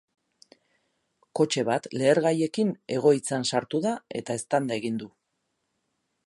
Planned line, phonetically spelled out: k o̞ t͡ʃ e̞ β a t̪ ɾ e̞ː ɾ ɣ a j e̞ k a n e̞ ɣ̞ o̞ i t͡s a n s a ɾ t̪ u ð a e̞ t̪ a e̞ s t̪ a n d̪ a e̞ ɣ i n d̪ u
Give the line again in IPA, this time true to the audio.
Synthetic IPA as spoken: k o̞ t͡ʃ e̞ β a t̪ l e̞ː ɾ ɣ a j e̞ k i n e̞ ɣ̞ o̞ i t͡s a n s a ɾ t̪ u ð a e̞ t̪ a e̞ s t̪ a n d̪ a e̞ ɣ i n d̪ u